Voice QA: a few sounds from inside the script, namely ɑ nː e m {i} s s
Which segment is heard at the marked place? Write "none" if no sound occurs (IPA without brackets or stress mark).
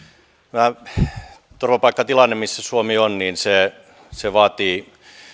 i